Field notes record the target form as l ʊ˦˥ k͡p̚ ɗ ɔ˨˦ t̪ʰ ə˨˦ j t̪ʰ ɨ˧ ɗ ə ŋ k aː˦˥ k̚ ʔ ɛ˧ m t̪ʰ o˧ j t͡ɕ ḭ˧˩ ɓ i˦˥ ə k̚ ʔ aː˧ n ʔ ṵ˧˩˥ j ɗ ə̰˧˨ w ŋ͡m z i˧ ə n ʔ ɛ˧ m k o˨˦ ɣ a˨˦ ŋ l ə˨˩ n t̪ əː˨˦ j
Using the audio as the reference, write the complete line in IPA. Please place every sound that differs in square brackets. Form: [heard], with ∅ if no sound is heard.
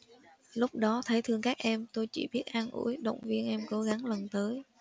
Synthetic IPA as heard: l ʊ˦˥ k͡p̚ ɗ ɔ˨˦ t̪ʰ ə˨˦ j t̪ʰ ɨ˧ [∅] ə ŋ k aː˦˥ k̚ ʔ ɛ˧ m [t̪] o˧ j t͡ɕ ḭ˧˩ ɓ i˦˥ ə [t̚] ʔ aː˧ n ʔ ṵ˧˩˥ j ɗ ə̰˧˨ w ŋ͡m [v] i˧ ə n ʔ ɛ˧ m k o˨˦ ɣ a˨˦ ŋ l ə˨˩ n t̪ əː˨˦ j